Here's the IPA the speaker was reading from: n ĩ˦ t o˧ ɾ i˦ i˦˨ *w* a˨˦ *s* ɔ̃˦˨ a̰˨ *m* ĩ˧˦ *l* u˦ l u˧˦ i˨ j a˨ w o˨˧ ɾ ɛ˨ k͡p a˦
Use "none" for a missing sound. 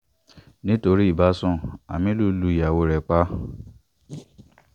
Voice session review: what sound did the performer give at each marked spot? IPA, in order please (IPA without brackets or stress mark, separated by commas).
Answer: b, s, m, l